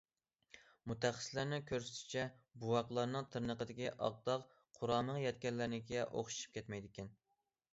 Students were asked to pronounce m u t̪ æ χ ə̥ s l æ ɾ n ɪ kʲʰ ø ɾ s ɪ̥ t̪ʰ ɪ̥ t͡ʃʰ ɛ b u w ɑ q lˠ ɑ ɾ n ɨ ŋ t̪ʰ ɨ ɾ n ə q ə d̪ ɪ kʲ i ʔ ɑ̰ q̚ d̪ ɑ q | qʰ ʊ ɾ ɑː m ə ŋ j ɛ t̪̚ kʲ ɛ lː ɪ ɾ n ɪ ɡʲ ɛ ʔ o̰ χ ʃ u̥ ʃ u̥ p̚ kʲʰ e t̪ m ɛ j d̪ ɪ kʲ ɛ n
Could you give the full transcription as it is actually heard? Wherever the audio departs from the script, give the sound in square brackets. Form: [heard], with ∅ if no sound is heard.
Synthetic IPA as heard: m u t̪ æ χ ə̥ s l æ ɾ n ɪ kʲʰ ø ɾ s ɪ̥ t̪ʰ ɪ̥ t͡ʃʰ ɛ b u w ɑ q lˠ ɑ ɾ n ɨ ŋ t̪ʰ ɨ ɾ n ə q ə d̪ ɪ kʲ i ʔ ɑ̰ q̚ d̪ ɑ q | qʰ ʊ ɾ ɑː m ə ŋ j ɛ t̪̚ kʲ ɛ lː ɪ ɾ n ɪ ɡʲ ɛ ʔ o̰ χ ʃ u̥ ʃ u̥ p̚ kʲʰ [ɛ] t̪ m ɛ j d̪ ɪ kʲ ɛ n